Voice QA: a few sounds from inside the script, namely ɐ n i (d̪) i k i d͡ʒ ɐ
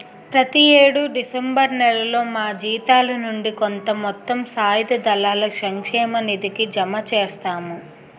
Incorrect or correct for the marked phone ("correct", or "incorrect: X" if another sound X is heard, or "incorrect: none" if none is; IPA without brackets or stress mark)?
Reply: correct